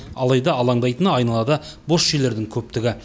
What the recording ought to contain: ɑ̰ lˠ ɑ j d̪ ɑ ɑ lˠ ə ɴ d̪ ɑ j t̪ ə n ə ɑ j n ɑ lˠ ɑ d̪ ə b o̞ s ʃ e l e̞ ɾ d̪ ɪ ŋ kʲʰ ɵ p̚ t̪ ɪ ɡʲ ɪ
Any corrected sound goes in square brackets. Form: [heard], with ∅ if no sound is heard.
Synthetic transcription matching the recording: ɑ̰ lˠ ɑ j d̪ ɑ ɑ lˠ [ɑ] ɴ d̪ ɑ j t̪ ə n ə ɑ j n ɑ lˠ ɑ d̪ ə b o̞ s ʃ e l e̞ ɾ d̪ ɪ ŋ kʲʰ ɵ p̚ t̪ ɪ ɡʲ ɪ